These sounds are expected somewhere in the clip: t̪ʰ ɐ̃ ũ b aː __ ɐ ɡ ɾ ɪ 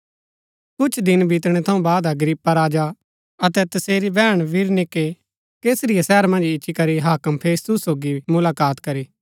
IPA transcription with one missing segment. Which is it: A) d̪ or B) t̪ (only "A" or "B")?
A